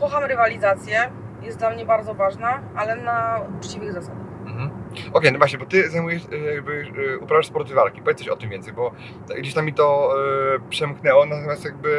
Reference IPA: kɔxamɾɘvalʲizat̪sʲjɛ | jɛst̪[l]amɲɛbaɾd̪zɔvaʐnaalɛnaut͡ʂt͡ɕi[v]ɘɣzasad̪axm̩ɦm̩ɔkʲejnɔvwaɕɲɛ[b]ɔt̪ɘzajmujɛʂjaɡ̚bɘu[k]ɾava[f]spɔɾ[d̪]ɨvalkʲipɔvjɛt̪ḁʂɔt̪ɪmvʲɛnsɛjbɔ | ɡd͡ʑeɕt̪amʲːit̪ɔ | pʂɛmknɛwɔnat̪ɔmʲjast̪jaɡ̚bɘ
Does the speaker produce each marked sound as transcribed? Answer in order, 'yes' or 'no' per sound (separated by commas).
yes, yes, yes, no, no, no